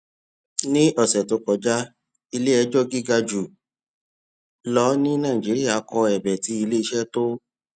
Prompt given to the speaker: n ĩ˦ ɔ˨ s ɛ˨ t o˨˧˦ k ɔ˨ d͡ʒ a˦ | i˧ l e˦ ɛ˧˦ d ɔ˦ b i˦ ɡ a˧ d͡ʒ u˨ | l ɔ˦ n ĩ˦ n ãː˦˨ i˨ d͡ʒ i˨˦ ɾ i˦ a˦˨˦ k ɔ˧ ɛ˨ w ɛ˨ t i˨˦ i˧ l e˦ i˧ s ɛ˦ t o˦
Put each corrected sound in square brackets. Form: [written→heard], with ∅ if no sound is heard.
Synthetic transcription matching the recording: n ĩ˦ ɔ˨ s ɛ˨ t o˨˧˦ k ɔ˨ d͡ʒ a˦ | i˧ l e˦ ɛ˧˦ [d→d͡ʒ] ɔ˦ [b→ɡ] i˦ ɡ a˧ d͡ʒ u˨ | l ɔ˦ n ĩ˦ n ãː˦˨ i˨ d͡ʒ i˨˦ ɾ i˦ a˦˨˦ k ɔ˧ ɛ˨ [w→b] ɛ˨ t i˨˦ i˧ l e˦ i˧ [s→ʃ] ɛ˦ t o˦

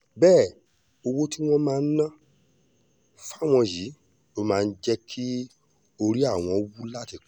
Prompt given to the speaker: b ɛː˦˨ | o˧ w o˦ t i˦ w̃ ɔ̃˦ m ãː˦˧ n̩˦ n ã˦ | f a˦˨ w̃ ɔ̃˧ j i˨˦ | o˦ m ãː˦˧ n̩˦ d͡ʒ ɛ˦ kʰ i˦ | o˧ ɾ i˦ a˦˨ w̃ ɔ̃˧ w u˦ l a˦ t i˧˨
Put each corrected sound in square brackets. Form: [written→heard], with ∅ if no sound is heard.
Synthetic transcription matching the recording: b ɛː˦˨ | o˧ w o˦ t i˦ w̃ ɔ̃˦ m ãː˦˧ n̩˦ n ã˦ | f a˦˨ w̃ ɔ̃˧ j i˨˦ | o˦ m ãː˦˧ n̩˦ d͡ʒ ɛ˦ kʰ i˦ | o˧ ɾ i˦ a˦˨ w̃ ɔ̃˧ w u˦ l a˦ t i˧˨

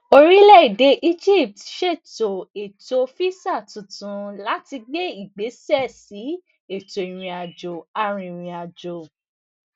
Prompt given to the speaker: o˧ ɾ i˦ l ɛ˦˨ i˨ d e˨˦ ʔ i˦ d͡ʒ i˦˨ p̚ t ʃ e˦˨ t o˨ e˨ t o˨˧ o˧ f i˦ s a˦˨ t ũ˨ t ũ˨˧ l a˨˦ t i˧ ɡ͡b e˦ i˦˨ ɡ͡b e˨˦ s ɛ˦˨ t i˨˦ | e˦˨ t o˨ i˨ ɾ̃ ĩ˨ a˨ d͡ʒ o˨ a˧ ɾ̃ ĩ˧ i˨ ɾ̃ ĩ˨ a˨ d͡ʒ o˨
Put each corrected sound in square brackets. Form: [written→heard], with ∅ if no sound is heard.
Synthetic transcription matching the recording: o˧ ɾ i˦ l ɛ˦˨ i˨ d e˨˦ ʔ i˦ d͡ʒ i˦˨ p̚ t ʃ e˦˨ t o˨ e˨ t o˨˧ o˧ f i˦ s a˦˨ t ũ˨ t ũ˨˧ l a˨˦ t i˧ ɡ͡b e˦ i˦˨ ɡ͡b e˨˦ s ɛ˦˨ [t→s] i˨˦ | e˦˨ t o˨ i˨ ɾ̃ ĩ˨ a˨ d͡ʒ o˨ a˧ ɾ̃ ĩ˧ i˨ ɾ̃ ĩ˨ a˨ d͡ʒ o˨

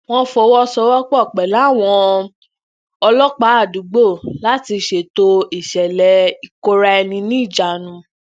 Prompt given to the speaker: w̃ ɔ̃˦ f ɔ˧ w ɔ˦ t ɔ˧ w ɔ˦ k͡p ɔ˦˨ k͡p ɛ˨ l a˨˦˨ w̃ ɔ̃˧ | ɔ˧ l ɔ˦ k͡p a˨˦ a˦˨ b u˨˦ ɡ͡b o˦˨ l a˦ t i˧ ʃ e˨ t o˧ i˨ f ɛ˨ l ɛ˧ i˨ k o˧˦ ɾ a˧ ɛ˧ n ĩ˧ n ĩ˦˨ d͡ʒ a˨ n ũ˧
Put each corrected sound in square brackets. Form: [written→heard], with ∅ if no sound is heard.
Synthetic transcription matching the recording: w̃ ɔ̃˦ f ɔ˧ w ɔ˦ [t→s] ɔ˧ w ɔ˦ k͡p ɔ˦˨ k͡p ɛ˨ l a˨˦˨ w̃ ɔ̃˧ | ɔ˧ l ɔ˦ k͡p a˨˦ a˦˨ [b→d] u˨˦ ɡ͡b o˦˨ l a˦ t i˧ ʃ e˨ t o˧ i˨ [f→ʃ] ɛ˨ l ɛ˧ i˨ k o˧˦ ɾ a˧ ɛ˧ n ĩ˧ n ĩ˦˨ d͡ʒ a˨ n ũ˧

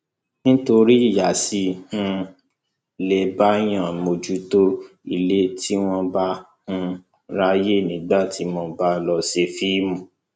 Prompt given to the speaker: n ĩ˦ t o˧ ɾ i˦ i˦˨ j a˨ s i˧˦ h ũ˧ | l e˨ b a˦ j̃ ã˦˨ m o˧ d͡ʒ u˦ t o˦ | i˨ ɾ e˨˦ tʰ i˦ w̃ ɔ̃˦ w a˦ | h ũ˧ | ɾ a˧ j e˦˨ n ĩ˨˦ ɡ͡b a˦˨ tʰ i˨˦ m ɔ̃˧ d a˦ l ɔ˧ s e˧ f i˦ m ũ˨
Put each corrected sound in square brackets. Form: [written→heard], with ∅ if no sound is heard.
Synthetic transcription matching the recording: n ĩ˦ t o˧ ɾ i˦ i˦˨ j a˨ s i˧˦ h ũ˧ | l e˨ b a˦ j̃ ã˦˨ m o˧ d͡ʒ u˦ t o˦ | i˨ [ɾ→l] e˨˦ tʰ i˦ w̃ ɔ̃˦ [w→b] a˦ | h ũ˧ | ɾ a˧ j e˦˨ n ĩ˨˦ ɡ͡b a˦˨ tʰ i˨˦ m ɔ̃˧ [d→b] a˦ l ɔ˧ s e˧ f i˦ m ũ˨

